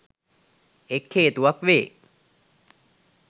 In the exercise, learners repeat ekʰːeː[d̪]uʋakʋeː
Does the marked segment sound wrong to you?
yes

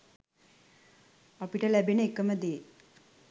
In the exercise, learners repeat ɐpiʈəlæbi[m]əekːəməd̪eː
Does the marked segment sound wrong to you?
yes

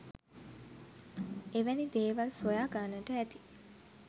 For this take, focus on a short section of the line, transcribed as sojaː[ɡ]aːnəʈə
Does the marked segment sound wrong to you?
no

